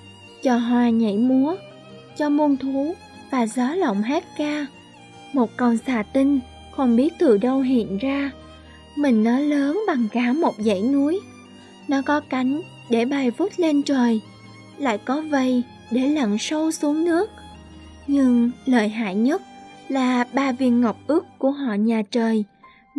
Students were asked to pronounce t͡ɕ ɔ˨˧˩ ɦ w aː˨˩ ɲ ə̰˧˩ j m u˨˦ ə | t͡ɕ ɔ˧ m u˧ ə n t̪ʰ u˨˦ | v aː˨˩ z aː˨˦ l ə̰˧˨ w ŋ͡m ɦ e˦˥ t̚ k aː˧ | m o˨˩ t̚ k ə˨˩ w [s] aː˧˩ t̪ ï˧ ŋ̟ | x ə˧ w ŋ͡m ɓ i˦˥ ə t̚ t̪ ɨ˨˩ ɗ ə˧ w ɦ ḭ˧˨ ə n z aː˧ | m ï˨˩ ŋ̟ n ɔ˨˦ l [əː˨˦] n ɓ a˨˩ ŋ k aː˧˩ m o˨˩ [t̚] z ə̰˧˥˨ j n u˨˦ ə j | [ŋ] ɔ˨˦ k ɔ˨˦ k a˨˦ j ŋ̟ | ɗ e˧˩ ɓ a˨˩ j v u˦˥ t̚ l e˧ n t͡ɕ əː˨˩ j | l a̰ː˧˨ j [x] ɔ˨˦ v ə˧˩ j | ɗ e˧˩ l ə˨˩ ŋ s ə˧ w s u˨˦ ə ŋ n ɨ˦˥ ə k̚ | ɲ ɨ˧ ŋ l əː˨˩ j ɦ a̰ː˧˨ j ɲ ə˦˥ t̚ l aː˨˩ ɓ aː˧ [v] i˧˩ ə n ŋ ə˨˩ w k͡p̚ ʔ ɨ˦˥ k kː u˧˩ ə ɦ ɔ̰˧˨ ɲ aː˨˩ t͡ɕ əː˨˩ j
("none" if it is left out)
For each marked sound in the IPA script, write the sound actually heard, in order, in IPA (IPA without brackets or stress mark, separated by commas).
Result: s, əː˨˦, t̚, n, k, v